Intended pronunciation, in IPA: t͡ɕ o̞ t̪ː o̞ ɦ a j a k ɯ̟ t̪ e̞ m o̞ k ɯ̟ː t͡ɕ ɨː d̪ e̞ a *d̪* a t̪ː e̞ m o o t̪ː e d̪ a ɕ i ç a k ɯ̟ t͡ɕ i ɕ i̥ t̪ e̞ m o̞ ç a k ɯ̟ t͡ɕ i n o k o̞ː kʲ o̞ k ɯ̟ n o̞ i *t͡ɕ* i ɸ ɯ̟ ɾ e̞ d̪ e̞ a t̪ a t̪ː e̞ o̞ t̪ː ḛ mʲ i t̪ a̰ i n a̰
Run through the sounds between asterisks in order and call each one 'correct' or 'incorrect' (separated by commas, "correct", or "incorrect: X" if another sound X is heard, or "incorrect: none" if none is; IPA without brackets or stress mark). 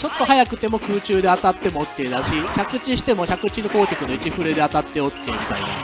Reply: incorrect: t̪, correct